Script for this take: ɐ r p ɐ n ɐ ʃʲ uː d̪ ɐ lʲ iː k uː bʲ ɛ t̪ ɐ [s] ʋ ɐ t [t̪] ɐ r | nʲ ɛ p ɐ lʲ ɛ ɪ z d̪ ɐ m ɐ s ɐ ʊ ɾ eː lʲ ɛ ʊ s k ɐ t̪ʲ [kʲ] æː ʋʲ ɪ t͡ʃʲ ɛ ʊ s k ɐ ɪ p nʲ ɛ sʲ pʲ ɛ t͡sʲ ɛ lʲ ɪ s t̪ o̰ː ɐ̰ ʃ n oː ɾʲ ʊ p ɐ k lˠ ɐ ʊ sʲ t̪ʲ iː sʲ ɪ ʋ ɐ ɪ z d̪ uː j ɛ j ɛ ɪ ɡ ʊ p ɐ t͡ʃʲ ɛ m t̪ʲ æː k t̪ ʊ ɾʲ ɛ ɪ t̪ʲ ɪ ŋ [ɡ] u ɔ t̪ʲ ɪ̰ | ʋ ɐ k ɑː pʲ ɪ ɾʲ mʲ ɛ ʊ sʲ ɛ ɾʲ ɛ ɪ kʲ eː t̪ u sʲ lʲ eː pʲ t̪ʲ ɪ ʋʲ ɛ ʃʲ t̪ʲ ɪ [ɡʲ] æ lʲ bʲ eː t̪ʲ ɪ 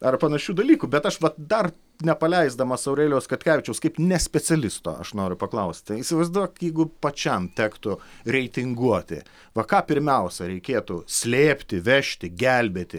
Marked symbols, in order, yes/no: no, no, yes, yes, yes

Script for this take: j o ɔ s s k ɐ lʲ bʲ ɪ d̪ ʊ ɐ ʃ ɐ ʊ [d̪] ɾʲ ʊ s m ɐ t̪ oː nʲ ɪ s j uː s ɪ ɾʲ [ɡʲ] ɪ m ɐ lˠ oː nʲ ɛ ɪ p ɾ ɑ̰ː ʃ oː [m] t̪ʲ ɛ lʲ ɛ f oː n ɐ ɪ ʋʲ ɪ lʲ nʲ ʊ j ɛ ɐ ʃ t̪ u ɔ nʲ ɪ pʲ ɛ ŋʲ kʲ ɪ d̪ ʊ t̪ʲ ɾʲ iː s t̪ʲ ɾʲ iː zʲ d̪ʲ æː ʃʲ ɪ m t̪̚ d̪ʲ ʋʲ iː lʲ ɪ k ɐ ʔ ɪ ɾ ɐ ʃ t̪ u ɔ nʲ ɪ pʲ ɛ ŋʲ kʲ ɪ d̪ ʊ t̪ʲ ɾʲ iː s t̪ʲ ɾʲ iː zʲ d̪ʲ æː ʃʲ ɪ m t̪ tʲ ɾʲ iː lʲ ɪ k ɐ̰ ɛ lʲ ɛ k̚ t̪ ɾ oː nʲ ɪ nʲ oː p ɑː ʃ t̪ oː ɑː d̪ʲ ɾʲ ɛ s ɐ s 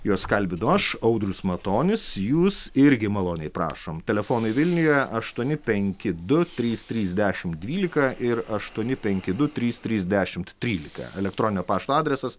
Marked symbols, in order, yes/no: yes, yes, yes

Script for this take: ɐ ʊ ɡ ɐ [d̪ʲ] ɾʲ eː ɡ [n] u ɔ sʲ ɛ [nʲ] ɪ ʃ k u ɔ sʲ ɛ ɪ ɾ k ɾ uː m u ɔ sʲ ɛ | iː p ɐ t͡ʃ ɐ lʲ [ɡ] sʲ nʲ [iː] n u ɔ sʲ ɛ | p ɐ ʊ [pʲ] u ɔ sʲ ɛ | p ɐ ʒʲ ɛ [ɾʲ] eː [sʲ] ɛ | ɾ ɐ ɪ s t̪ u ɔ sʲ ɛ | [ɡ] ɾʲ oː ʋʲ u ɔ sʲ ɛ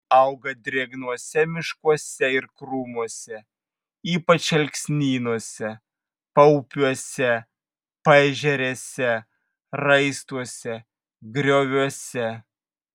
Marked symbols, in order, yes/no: yes, yes, no, no, yes, yes, yes, yes, yes

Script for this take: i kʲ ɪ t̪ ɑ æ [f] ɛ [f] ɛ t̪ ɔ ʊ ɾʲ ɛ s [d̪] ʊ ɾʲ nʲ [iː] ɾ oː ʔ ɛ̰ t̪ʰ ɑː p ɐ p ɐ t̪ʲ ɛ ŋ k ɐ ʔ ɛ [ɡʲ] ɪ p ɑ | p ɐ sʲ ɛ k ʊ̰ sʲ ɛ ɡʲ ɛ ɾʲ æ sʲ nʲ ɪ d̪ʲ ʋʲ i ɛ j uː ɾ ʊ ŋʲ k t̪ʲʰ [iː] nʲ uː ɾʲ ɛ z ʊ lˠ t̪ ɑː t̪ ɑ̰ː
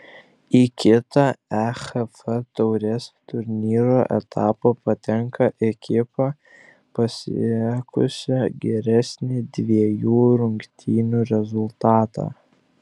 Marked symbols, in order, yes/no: no, yes, no, yes, no, yes

